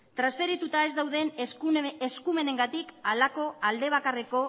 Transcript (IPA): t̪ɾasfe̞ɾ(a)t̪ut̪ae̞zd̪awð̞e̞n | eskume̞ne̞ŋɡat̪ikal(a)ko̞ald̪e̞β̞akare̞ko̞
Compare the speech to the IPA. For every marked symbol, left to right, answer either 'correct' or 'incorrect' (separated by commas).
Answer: incorrect, correct